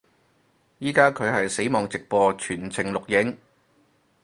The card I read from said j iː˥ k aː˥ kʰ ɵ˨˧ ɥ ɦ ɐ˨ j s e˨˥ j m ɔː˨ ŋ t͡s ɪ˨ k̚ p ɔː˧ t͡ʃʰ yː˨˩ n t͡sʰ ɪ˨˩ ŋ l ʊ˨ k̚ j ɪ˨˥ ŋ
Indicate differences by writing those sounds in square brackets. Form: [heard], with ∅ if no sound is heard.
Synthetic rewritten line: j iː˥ k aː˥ kʰ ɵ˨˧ ɥ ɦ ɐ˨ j s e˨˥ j m ɔː˨ ŋ t͡s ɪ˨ k̚ p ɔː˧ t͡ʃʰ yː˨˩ n t͡sʰ ɪ˨˩ ŋ l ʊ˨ k̚ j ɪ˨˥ ŋ